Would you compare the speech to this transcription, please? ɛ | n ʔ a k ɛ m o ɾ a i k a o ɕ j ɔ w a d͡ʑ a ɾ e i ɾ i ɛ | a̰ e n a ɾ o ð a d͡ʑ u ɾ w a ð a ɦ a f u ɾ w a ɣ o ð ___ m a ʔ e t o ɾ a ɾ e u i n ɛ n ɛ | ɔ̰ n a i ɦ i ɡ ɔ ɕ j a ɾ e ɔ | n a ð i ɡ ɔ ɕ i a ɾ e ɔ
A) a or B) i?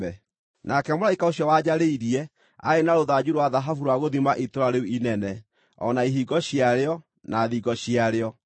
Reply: B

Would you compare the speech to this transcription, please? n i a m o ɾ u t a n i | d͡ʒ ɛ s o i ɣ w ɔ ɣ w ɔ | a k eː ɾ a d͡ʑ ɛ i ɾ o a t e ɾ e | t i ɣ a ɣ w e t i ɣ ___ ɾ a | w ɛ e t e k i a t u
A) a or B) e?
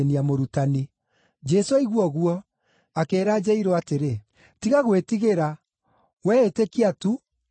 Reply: B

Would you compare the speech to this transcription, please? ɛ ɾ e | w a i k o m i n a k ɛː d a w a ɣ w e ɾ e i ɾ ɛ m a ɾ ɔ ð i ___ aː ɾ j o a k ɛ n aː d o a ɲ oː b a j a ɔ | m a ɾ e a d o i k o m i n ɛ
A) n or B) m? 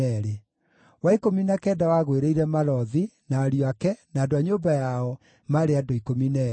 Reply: A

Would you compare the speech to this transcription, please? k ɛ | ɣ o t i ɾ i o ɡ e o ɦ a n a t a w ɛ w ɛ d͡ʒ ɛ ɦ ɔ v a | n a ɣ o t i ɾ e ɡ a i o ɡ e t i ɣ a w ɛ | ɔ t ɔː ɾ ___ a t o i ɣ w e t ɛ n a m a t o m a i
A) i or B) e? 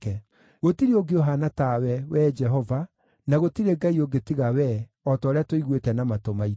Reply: B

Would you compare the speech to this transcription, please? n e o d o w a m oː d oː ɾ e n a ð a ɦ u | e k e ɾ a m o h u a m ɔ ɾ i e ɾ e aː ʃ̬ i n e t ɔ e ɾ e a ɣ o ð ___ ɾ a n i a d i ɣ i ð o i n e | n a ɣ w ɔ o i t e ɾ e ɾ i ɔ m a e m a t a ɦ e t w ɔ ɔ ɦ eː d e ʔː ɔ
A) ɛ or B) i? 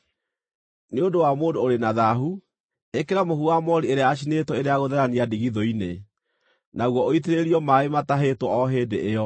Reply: A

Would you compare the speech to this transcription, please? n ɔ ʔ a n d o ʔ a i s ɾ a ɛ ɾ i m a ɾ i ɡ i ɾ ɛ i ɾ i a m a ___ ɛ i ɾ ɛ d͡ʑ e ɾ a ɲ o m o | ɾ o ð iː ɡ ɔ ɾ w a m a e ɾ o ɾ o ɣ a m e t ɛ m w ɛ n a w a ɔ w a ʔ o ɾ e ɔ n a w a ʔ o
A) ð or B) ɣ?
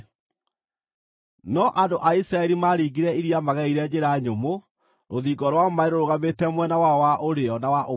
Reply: B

